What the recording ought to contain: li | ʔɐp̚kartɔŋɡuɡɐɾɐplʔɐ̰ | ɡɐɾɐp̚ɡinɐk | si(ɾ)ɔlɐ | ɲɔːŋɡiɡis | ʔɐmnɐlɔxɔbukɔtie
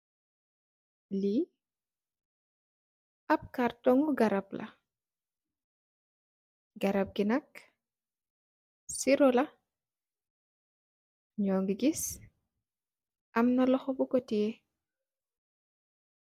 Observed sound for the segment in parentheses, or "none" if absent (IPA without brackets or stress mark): ɾ